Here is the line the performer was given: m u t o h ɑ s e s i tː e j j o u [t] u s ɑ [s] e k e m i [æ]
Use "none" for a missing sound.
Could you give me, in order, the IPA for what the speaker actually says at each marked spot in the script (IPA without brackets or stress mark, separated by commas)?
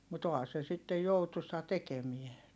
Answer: t, t, e